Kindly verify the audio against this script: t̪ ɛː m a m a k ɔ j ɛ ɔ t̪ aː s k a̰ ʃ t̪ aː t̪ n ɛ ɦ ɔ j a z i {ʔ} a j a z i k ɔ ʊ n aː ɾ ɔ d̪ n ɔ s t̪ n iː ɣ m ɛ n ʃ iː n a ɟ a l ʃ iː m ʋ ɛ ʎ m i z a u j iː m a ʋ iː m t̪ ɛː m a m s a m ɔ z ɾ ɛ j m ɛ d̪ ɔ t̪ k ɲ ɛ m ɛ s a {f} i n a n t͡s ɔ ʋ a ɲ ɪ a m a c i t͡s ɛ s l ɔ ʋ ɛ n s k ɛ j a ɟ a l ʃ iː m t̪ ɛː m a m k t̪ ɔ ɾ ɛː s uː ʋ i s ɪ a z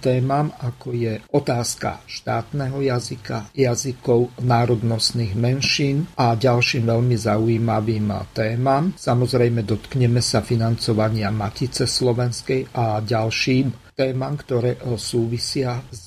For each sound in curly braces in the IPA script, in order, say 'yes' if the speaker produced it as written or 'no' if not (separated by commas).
no, yes